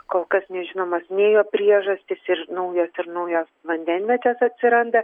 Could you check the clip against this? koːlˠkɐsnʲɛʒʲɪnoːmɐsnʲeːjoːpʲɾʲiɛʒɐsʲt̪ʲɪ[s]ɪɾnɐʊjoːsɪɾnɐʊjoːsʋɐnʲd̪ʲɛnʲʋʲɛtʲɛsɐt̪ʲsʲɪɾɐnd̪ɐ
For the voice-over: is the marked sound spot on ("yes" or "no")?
yes